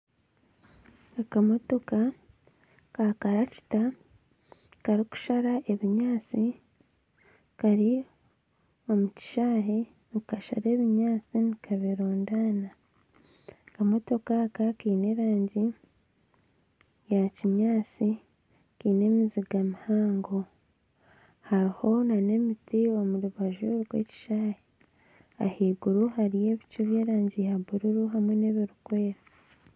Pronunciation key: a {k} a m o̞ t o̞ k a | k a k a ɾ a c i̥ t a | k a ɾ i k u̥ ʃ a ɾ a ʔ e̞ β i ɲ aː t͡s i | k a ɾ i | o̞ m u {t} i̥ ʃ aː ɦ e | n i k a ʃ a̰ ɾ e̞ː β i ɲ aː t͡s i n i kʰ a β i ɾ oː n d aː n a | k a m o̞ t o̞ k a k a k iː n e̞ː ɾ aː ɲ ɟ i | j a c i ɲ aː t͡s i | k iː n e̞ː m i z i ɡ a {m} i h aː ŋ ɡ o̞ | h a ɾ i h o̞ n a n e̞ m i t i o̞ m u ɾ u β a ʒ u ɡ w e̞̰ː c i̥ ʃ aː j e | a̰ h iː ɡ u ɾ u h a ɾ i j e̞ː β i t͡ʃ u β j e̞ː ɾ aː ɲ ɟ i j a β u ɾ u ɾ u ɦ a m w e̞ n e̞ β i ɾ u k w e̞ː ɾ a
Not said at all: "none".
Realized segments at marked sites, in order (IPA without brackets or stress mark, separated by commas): k, c, m